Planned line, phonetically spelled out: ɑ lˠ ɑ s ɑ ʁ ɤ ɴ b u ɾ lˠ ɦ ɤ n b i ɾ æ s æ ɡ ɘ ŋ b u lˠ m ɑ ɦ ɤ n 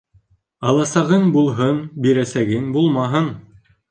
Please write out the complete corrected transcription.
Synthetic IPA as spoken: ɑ lˠ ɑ s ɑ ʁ ɤ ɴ b u lˠ ɦ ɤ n b i ɾ æ s æ ɡ ɘ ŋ b u lˠ m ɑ ɦ ɤ n